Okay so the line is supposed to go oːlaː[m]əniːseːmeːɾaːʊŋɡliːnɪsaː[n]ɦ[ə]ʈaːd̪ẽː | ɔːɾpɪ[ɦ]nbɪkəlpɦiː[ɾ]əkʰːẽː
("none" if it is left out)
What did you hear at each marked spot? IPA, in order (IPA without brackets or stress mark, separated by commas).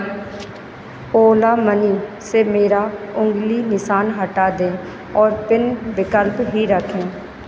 m, n, ə, none, ɾ